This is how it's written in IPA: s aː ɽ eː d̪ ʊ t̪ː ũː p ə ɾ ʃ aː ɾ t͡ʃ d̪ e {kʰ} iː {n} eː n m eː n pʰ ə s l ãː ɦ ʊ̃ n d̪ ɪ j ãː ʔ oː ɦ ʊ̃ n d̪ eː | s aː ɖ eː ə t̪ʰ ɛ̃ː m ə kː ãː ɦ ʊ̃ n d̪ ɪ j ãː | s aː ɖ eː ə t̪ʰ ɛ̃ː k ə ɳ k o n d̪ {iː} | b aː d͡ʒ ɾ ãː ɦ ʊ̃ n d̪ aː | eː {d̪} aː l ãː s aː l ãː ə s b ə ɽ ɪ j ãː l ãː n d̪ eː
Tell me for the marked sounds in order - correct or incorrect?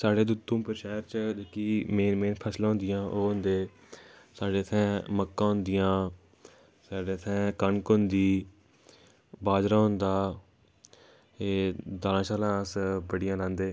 incorrect, incorrect, correct, correct

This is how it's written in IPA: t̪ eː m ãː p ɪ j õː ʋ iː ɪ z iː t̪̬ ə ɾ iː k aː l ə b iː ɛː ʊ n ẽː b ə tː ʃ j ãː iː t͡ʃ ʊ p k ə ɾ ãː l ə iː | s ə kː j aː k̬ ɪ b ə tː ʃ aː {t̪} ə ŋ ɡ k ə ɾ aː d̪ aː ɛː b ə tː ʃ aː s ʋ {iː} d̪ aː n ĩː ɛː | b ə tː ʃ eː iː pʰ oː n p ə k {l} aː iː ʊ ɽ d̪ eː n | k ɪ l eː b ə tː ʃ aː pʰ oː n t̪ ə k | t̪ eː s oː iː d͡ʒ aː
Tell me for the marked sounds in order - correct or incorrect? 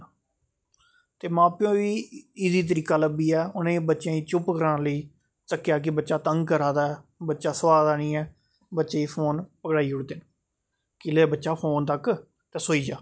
correct, incorrect, incorrect

